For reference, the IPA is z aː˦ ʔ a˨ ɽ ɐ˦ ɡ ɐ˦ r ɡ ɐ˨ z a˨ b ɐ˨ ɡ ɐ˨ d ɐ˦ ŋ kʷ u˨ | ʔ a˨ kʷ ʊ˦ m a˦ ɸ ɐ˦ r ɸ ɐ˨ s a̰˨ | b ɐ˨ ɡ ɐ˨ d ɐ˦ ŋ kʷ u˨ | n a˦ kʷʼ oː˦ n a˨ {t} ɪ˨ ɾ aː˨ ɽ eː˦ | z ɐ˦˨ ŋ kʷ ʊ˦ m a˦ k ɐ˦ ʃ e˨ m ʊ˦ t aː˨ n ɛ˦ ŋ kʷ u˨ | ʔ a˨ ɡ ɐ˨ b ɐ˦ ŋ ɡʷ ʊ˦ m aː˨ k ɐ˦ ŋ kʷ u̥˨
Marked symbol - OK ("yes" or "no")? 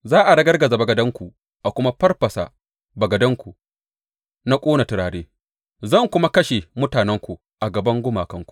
yes